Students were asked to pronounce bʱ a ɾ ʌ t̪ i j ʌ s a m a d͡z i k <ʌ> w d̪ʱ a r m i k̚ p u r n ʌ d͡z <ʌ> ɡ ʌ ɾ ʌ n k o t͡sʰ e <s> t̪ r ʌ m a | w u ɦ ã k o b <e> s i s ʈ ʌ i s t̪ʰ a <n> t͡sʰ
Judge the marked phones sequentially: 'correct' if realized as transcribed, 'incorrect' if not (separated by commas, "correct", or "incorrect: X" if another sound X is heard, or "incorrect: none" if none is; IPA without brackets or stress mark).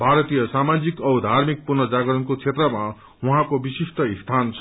correct, incorrect: a, incorrect: none, incorrect: i, correct